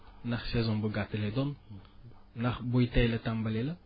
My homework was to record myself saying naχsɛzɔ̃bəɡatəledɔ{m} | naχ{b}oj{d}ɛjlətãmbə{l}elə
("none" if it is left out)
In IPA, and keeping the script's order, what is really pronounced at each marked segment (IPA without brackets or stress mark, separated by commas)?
n, b, t, l